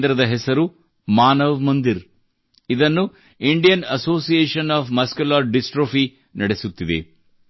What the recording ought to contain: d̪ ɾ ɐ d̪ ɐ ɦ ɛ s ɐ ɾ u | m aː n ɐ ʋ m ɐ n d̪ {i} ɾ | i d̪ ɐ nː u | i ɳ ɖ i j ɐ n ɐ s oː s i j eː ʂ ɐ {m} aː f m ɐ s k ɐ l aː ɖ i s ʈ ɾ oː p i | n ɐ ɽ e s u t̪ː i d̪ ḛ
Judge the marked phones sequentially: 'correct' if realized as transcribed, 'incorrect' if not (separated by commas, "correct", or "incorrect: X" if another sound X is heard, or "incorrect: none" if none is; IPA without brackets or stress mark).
correct, incorrect: n